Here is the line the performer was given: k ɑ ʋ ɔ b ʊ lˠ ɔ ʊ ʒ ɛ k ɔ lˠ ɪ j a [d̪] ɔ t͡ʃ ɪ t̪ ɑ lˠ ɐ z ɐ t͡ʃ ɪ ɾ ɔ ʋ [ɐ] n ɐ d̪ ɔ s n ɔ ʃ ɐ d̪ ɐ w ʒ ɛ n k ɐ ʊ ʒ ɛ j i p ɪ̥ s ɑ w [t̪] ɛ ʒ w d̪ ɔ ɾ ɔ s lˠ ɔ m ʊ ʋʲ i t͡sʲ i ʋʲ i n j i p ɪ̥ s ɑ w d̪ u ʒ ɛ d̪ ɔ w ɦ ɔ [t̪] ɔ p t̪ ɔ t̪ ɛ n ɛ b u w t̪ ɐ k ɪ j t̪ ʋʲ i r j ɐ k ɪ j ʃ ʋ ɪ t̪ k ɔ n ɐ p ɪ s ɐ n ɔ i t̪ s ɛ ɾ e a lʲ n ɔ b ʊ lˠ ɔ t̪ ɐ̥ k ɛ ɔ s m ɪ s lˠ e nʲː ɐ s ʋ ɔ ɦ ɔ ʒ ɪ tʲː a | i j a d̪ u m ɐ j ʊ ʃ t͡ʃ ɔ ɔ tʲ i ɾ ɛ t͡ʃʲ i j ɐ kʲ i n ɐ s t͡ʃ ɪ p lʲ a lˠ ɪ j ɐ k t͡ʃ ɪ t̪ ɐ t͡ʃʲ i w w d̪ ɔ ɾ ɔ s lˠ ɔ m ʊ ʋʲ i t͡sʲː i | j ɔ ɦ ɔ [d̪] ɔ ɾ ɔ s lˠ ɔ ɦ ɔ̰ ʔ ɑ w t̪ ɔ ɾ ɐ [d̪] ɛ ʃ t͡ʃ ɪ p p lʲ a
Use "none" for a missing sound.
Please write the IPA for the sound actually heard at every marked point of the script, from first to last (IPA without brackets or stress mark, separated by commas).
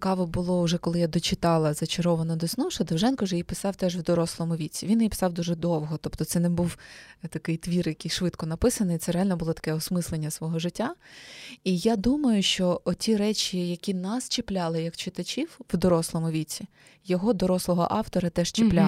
d̪, ɐ, t̪, t̪, d̪, t̪